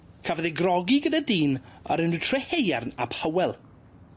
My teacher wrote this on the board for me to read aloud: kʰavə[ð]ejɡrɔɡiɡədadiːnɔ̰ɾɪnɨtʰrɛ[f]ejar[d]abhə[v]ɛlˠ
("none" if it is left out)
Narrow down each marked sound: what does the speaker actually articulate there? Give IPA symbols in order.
ð, h, n, w

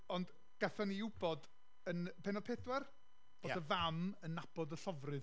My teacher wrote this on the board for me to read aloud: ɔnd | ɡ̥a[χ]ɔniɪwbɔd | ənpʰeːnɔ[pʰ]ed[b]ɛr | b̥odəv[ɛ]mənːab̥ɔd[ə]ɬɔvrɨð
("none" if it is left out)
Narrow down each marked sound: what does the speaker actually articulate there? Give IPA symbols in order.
θ, pʰ, w, a, ə

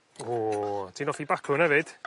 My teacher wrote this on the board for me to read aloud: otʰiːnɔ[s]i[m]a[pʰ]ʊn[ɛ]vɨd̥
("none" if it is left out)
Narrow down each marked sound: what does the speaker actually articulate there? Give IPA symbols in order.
f, b, kʰ, ɛ

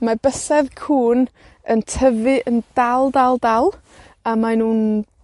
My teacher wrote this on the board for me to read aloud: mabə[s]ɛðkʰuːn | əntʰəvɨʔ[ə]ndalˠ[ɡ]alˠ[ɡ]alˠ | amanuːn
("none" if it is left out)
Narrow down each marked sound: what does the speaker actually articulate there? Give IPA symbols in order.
s, ə, d, d

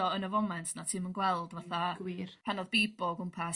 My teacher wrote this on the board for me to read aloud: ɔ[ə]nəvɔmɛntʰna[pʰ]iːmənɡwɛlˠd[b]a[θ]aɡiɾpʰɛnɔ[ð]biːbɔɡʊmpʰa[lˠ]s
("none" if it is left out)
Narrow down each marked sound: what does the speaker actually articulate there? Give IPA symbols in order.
ə, tʰ, v, θ, ð, none

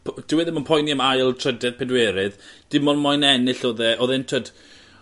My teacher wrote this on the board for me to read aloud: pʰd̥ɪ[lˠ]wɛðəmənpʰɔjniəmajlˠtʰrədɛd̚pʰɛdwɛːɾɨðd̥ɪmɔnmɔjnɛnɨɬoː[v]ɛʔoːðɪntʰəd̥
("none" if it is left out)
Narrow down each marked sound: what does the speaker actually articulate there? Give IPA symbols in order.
none, ð

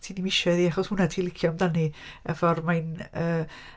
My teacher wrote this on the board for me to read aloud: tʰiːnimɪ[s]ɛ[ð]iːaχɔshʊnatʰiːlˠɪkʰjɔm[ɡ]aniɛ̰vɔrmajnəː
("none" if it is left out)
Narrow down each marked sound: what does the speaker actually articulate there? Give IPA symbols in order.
ʃ, ð, d

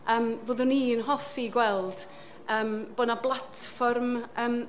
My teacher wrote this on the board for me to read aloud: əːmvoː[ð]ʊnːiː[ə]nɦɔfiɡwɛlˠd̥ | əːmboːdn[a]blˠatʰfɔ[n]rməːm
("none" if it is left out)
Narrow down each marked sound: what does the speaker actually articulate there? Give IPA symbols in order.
ð, ə, a, none

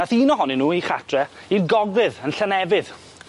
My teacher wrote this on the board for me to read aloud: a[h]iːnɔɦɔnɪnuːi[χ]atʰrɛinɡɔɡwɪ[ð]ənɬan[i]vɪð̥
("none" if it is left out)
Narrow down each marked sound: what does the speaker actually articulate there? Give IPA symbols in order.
θ, χ, ð, ɛ

